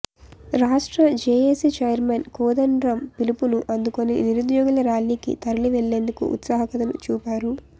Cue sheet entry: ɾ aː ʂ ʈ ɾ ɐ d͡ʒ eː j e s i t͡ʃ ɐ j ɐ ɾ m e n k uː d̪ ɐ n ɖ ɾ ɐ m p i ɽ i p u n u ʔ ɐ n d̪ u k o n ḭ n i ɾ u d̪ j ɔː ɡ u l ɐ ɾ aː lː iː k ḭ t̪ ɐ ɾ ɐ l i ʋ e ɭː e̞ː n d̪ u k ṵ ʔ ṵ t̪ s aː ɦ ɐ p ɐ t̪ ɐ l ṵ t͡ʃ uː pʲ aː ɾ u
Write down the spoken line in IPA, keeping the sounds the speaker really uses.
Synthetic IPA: ɾ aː ʂ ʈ ɾ ɐ d͡ʒ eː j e s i t͡ʃ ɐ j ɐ ɾ m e n k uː d̪ ɐ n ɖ ɾ ɐ m p i l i p u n u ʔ ɐ n d̪ u k o n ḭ n i ɾ u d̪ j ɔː ɡ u l ɐ ɾ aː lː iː k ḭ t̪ ɐ ɾ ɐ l i ʋ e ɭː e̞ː n d̪ u k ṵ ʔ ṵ t̪ s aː ɦ ɐ k ɐ t̪ ɐ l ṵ t͡ʃ uː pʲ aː ɾ u

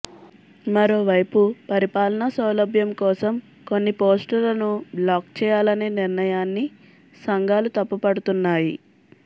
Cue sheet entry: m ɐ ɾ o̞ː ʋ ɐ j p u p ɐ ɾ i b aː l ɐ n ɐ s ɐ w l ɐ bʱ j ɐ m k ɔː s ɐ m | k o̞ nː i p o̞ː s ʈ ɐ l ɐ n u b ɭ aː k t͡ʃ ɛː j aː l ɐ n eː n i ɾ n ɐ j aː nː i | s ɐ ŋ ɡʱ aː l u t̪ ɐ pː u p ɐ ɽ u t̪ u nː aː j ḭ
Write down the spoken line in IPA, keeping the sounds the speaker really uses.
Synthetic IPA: m ɐ ɾ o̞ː ʋ ɐ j p u p ɐ ɾ i p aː l ɐ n ɐ s ɐ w l ɐ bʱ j ɐ m k ɔː s ɐ m | k o̞ nː i p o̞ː s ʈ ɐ l ɐ n u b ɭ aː k t͡ʃ ɛː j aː l ɐ n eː n i ɾ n ɐ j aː nː i | s ɐ ŋ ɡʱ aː l u t̪ ɐ pː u p ɐ ɽ u t̪ u nː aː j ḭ

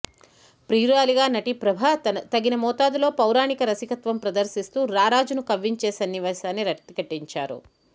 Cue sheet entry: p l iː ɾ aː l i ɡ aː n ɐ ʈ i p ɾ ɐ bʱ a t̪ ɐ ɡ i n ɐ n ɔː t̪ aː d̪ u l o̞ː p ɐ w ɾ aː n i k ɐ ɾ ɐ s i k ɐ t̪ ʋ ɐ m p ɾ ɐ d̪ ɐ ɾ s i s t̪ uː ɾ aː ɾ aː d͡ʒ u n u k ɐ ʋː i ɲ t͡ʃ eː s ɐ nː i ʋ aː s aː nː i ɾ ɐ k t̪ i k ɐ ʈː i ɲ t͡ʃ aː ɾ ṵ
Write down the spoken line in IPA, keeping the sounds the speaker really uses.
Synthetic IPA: p ɾ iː ɾ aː l i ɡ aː n ɐ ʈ i p ɾ ɐ bʱ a t̪ ɐ ɡ i n ɐ m ɔː t̪ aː d̪ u l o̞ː p ɐ w ɾ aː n i k ɐ ɾ ɐ s i k ɐ t̪ ʋ ɐ m p ɾ ɐ d̪ ɐ ɾ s i s t̪ uː ɾ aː ɾ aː d͡ʒ u n u k ɐ ʋː i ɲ t͡ʃ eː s ɐ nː i ʋ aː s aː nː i ɾ ɐ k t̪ i k ɐ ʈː i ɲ t͡ʃ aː ɾ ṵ

